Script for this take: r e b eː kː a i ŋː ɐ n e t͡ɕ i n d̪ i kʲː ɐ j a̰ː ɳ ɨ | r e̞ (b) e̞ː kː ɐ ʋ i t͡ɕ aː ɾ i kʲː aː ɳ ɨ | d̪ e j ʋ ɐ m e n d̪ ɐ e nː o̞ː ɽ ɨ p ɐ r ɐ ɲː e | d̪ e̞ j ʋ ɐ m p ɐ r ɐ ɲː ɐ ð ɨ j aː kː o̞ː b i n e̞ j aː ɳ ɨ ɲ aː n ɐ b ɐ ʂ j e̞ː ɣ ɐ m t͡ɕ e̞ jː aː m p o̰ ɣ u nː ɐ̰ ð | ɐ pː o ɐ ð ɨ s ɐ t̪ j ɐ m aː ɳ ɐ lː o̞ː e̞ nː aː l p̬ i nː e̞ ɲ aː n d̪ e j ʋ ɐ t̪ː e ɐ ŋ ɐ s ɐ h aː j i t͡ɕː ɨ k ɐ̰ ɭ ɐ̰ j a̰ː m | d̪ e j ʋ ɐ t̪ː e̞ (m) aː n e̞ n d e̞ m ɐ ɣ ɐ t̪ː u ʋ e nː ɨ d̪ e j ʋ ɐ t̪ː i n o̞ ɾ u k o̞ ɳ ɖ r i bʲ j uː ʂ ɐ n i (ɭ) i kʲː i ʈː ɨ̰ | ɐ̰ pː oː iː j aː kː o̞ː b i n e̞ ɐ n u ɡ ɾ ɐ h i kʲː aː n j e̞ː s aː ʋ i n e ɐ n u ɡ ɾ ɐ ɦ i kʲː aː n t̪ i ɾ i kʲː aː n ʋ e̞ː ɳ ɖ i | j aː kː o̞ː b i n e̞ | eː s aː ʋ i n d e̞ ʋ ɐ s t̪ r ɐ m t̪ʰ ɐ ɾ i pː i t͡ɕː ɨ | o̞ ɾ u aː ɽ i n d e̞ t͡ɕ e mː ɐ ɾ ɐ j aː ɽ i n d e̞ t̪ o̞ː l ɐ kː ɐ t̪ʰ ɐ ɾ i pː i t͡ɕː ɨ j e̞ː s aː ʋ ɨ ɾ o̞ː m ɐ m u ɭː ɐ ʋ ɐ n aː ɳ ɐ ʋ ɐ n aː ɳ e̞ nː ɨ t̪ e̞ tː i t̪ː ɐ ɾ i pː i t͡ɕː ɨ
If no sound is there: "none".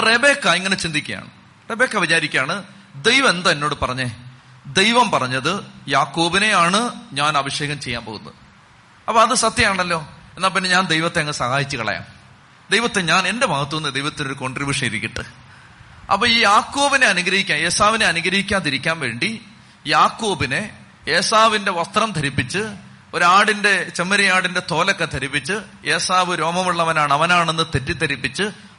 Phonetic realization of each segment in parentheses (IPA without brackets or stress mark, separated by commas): b, ɲ, ɾ